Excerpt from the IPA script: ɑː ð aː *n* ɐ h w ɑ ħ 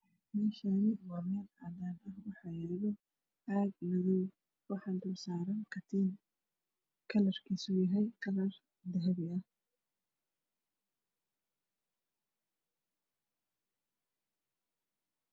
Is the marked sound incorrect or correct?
correct